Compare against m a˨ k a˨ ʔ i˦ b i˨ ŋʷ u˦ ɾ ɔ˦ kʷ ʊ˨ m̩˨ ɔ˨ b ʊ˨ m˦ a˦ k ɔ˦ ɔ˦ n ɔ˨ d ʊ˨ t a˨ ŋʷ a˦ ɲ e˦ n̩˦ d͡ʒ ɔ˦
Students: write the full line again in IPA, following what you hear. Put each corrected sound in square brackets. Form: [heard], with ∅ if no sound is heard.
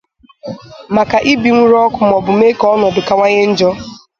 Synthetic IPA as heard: m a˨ k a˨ ʔ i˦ b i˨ ŋʷ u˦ ɾ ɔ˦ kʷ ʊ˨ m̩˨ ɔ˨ b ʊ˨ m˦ [e˦] k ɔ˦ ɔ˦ n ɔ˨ d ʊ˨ [k] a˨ ŋʷ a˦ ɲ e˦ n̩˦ d͡ʒ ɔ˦